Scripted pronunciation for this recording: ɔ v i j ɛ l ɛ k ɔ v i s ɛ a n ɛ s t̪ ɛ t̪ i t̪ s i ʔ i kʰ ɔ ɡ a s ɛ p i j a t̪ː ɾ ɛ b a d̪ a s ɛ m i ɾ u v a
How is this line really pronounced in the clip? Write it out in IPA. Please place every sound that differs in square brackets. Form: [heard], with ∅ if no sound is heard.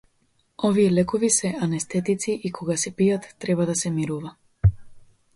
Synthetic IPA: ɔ v i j ɛ l ɛ k ɔ v i s ɛ a n ɛ s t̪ ɛ t̪ i t̪ s i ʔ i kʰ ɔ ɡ a s ɛ p i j a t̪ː ɾ ɛ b a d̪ a s ɛ m i ɾ u v a